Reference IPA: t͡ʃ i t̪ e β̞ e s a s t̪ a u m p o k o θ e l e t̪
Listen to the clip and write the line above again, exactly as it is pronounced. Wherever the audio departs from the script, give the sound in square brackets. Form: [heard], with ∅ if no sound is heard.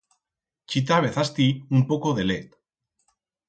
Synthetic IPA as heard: t͡ʃ i t̪ [a] β̞ e [θ] a s t̪ [i] u m p o k o [ð] e l e t̪